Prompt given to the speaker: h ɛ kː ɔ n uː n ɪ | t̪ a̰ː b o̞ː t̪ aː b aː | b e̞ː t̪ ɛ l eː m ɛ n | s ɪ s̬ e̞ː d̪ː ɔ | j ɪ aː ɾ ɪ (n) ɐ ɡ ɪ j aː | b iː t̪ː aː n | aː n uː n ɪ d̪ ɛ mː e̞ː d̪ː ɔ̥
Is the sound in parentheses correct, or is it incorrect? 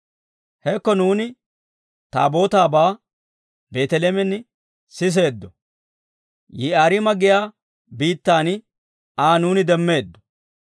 incorrect